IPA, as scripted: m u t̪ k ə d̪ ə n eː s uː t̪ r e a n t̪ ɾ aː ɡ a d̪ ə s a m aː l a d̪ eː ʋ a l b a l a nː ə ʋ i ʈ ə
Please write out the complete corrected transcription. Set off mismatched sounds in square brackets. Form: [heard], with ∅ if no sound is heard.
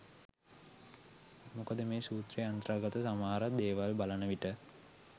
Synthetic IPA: m u [∅] k ə d̪ ə [m] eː s uː t̪ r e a n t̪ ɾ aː ɡ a [t̪] ə s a m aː [ɾ] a d̪ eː ʋ a l b a l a [n] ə ʋ i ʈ ə